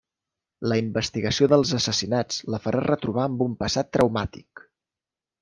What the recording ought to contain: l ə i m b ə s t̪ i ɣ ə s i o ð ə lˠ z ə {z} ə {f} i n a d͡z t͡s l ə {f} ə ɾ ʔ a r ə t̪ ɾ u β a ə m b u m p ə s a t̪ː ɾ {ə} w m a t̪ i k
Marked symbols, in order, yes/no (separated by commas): no, no, yes, yes